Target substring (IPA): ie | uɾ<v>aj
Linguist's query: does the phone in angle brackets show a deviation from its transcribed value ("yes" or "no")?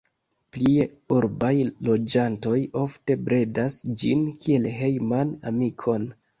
yes